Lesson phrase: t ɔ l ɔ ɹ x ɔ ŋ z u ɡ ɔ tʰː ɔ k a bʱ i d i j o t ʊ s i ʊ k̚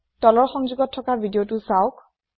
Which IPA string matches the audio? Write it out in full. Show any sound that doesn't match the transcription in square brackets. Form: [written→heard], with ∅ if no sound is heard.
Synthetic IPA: t ɔ l ɔ ɹ x ɔ ŋ z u ɡ ɔ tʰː ɔ k a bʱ i d i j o t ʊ s [i→a] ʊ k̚